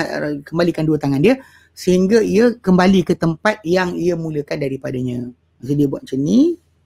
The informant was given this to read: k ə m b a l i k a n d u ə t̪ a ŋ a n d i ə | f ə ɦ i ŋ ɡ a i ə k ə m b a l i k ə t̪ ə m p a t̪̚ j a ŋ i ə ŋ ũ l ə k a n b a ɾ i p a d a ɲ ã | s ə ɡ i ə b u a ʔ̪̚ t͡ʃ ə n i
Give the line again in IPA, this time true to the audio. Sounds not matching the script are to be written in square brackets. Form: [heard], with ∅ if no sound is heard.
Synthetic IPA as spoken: k ə m b a l i k a n d u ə t̪ a ŋ a n d i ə | [s] ə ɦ i ŋ ɡ a i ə k ə m b a l i k ə t̪ ə m p a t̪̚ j a ŋ i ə [m] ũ l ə k a n [d] a ɾ i p a d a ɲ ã | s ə [d] i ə b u a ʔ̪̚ t͡ʃ ə n i